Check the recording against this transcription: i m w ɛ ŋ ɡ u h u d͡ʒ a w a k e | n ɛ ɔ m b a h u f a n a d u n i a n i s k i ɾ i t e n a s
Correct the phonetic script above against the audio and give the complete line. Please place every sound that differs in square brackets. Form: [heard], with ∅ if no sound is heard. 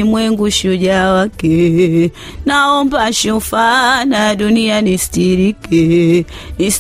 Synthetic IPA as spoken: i m w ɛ ŋ ɡ u [ʃ] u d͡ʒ a w a k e | n [a] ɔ m b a [ʃ] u f a n a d u n i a n i s [t] i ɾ i [k] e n [i] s